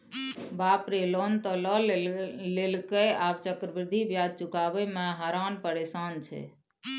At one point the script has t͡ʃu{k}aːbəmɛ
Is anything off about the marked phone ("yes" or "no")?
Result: no